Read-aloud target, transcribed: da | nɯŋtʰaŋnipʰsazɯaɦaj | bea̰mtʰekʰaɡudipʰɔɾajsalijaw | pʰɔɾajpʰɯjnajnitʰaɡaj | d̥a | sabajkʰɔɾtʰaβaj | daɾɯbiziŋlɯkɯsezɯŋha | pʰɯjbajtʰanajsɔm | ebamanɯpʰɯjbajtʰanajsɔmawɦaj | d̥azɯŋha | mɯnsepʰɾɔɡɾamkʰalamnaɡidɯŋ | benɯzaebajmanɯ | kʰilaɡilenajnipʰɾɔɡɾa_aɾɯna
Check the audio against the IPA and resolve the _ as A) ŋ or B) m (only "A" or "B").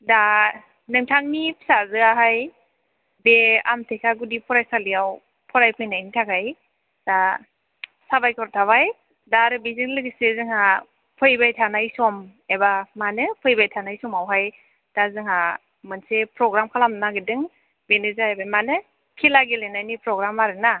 B